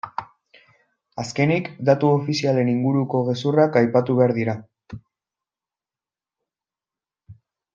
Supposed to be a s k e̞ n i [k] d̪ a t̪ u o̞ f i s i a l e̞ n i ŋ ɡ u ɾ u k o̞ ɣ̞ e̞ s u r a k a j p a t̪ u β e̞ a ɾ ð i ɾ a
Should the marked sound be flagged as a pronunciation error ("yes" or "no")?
no